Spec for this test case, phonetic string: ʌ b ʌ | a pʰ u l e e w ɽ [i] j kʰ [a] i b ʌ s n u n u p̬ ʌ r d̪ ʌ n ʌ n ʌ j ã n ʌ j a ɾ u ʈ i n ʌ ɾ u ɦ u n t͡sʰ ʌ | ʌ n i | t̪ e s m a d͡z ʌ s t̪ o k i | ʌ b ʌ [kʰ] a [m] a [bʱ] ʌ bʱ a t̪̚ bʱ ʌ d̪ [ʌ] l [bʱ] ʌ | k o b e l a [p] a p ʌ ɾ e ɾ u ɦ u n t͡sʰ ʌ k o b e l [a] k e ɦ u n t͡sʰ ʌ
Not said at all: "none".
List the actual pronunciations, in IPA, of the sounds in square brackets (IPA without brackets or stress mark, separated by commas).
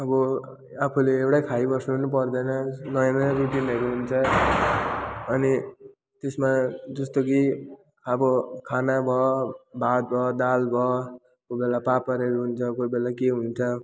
a, a, kʰ, n, bʱ, a, bʱ, p, a